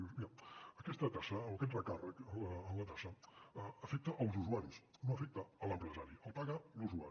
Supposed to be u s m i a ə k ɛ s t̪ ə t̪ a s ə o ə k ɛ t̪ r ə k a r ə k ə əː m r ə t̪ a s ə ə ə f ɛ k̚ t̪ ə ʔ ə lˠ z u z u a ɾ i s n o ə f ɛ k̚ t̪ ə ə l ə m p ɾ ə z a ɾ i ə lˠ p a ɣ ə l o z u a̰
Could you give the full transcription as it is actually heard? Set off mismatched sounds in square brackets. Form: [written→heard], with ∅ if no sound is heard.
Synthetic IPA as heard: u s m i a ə k ɛ s t̪ ə t̪ a s ə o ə k ɛ t̪ r ə k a r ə k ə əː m [r→l] ə t̪ a s ə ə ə f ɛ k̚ t̪ ə ʔ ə lˠ z u z u a ɾ i s n o ə f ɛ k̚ t̪ ə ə l ə m p ɾ ə z a ɾ i ə lˠ p a ɣ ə l [o→u] z u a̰